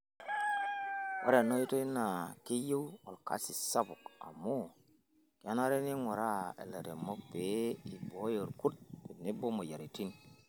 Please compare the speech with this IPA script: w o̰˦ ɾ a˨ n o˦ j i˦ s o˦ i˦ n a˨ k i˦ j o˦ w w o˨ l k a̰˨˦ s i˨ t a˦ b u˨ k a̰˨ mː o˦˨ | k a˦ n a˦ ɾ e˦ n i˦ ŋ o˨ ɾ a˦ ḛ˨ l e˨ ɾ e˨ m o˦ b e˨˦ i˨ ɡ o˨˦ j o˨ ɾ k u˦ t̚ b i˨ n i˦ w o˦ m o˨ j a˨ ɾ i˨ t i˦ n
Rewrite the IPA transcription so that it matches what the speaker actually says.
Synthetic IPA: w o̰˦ ɾ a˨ n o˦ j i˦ t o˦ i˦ n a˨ k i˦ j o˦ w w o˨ l k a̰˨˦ s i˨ s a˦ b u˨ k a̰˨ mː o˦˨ | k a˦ n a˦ ɾ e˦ n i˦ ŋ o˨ ɾ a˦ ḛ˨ l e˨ ɾ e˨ m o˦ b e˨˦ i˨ b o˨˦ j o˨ ɾ k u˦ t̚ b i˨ n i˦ b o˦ m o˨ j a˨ ɾ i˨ t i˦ n